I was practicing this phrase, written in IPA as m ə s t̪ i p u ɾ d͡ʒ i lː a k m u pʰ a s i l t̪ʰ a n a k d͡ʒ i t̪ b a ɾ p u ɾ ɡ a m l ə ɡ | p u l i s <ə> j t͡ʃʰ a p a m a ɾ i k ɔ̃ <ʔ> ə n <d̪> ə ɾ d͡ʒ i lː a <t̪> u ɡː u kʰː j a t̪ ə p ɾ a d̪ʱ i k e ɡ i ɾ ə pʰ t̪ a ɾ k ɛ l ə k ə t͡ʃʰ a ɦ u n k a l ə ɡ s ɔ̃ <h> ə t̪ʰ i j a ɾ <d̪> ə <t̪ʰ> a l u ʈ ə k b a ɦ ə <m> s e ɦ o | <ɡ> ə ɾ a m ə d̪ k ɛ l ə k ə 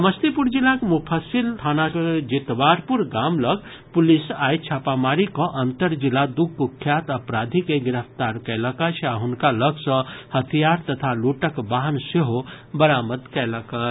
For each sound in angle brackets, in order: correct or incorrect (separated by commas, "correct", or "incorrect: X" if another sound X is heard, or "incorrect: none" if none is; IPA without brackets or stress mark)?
incorrect: a, correct, incorrect: t̪, incorrect: d̪, correct, incorrect: t̪, correct, incorrect: n, incorrect: b